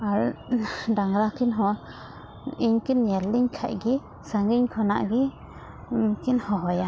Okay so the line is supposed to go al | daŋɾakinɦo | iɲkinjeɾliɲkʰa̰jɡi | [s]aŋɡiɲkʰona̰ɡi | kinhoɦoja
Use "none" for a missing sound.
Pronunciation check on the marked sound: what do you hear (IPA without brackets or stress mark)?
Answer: s